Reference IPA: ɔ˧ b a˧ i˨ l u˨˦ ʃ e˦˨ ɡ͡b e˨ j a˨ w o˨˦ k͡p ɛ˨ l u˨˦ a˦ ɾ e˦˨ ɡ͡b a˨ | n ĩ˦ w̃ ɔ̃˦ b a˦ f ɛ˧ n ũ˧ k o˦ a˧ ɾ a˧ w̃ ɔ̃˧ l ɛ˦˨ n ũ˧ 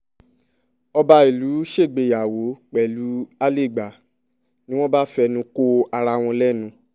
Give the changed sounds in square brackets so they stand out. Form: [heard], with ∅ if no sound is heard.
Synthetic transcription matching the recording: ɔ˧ b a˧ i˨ l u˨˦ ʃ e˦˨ ɡ͡b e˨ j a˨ w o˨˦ k͡p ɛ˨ l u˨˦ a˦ [l] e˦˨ ɡ͡b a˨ | n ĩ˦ w̃ ɔ̃˦ b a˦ f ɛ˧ n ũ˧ k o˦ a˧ ɾ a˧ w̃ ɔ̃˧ l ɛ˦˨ n ũ˧